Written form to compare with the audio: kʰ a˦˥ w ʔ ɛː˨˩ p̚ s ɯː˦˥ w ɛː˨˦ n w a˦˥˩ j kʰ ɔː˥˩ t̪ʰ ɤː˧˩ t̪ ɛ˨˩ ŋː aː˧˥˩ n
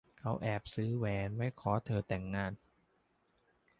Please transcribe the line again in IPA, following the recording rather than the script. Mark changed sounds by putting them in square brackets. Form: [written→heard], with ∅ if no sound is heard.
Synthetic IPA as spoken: kʰ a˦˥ w ʔ ɛː˨˩ p̚ s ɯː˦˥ w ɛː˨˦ n w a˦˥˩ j kʰ [ɔː˥˩→ɔː˨˦] t̪ʰ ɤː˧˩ t̪ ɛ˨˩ ŋː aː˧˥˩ n

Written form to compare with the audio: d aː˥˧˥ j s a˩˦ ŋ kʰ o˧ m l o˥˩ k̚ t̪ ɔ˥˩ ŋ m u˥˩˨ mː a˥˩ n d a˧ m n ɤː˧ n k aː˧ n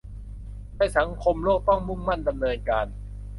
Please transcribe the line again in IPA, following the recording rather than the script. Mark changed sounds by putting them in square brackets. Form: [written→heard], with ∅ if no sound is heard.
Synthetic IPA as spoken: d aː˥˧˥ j s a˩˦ ŋ kʰ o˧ m l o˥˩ k̚ t̪ ɔ˥˩ ŋ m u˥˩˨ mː a˥˩ n d a˧ m n ɤː˧ n k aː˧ n

